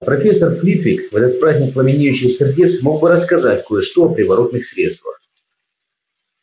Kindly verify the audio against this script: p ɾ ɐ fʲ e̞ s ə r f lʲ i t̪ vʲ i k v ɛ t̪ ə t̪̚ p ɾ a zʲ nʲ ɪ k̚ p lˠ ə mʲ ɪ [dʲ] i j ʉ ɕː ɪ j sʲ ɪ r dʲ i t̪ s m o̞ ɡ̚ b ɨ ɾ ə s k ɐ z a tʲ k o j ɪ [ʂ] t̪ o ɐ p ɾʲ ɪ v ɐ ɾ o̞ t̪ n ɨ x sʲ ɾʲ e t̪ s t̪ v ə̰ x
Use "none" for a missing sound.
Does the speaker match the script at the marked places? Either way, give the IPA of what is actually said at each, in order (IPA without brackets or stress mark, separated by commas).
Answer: nʲ, ʂ